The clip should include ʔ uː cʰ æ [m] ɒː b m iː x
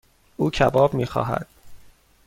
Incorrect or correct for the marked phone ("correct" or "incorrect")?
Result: incorrect